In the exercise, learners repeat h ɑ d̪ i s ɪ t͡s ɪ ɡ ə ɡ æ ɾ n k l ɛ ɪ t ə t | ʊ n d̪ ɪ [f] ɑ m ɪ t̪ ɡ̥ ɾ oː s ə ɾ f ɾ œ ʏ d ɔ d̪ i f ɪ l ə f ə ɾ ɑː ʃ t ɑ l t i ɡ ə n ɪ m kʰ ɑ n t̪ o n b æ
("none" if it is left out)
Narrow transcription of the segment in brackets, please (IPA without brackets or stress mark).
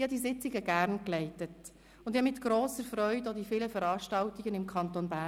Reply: h